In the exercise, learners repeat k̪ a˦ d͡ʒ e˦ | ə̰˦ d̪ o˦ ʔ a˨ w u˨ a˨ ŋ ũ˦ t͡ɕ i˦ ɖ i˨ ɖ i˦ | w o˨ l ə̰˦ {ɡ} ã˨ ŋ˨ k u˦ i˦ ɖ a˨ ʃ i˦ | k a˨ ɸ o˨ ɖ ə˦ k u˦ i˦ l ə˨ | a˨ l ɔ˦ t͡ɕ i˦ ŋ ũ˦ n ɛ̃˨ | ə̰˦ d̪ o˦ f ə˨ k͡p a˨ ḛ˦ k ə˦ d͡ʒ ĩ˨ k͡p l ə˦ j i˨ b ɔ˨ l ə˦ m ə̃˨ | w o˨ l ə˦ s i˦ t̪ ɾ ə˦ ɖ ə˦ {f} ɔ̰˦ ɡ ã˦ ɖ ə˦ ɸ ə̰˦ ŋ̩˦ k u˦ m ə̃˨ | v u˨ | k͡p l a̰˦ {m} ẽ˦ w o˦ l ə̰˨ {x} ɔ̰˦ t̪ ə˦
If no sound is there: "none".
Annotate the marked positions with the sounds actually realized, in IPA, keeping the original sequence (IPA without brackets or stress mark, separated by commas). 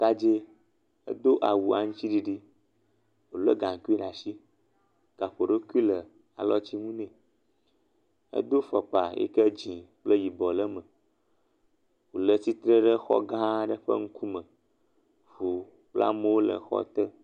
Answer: ɡ, x, m, x